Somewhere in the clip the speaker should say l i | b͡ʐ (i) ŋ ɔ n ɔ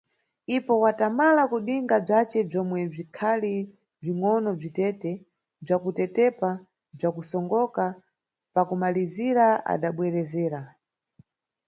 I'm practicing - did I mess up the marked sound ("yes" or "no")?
no